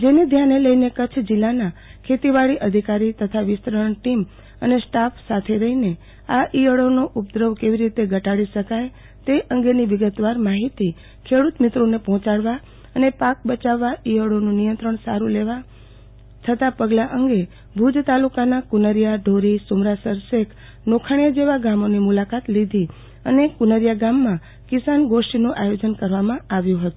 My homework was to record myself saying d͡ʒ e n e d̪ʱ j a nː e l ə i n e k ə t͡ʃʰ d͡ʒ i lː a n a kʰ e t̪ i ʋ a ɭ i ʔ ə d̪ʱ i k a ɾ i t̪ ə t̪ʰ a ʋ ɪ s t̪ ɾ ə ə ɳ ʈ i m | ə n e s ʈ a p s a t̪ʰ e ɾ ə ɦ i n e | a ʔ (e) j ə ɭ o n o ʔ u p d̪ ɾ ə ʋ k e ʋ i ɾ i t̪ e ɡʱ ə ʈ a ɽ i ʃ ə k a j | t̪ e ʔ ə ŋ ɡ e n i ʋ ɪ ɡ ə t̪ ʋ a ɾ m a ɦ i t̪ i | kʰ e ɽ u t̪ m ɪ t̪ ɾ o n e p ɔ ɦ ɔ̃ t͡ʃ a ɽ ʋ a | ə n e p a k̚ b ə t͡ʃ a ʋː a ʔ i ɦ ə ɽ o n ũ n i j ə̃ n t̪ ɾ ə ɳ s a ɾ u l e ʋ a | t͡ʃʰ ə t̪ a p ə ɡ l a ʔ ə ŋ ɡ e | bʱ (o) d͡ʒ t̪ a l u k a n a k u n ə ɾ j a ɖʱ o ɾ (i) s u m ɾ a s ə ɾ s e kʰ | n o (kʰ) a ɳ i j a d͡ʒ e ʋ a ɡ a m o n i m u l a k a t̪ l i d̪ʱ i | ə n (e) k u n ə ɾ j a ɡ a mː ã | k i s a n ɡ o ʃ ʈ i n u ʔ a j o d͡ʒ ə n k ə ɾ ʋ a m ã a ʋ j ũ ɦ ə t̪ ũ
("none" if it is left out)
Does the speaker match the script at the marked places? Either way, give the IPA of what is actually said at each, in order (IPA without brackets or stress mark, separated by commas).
i, u, i, kʰ, e